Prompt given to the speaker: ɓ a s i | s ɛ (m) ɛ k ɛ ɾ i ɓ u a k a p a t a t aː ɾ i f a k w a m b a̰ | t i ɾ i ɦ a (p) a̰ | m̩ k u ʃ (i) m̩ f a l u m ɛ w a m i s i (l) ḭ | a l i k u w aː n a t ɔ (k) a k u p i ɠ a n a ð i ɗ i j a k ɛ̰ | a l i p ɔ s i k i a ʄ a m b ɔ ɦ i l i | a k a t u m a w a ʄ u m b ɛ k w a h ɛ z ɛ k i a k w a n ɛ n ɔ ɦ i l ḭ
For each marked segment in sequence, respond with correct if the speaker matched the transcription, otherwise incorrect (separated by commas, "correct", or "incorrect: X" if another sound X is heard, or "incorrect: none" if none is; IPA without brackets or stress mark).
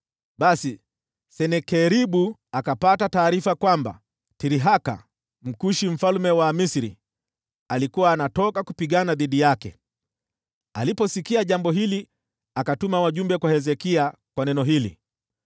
incorrect: n, incorrect: k, correct, incorrect: ɾ, correct